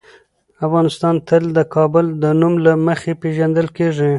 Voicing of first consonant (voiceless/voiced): voiceless